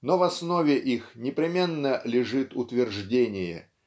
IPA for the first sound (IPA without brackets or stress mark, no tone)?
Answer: n